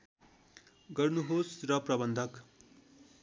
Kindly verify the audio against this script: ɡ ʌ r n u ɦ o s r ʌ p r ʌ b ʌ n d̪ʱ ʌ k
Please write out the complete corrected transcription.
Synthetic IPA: ɡ ʌ r n u ɦ o s r ʌ p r ʌ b ʌ n d̪ʱ ʌ k